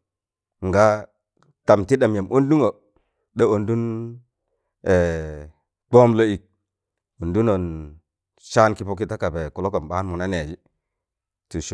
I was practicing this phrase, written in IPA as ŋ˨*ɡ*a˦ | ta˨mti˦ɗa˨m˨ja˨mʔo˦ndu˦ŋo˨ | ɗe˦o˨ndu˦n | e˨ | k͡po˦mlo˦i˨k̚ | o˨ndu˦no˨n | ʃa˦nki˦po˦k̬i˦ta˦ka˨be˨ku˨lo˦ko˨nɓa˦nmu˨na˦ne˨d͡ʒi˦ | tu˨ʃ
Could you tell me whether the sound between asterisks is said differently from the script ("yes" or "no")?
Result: no